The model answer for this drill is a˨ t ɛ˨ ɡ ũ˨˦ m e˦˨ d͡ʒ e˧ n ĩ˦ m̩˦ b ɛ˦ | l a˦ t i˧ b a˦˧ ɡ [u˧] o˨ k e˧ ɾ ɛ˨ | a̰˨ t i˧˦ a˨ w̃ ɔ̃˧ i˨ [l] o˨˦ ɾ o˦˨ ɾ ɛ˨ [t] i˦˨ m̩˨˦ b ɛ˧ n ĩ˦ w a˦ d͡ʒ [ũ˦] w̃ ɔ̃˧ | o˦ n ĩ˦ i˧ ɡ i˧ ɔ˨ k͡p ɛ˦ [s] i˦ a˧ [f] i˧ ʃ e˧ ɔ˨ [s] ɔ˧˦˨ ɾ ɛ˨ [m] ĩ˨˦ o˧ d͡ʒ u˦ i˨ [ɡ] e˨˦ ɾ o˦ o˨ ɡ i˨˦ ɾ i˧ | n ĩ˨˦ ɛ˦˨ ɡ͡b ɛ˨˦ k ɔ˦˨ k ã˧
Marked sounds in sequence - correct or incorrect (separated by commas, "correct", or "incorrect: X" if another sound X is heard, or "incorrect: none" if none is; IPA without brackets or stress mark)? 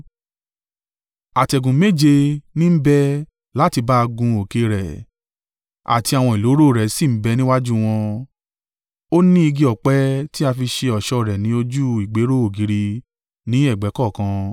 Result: incorrect: ũ˧, correct, incorrect: s, incorrect: u˦, incorrect: t, correct, incorrect: ʃ, incorrect: n, incorrect: ɡ͡b